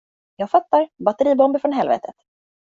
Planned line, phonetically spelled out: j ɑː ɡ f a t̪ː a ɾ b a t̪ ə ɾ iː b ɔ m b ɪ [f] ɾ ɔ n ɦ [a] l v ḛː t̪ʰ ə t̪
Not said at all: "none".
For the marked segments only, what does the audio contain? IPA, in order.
f, ɛ

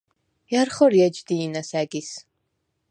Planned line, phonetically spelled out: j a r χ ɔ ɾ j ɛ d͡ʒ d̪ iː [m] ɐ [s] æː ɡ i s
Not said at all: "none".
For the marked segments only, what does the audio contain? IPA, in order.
n, s

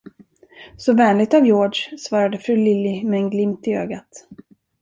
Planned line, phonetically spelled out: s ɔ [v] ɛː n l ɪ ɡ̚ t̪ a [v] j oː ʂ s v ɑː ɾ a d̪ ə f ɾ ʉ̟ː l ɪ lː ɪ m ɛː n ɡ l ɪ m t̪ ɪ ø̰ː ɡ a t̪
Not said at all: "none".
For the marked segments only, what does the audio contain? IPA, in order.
v, v

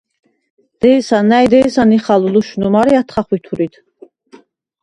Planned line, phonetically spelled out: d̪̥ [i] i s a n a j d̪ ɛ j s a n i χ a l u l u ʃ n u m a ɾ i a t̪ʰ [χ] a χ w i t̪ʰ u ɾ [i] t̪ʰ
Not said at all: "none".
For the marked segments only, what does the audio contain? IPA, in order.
ɛ, χ, i

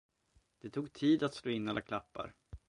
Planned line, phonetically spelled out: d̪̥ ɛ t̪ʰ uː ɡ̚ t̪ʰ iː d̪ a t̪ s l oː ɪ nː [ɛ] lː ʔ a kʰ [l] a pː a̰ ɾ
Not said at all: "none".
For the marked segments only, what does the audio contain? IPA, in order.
a, l

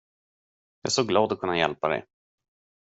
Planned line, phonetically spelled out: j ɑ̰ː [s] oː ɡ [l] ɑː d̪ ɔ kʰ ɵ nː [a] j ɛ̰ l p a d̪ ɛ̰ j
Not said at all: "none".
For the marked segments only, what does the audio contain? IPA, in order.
s, l, a

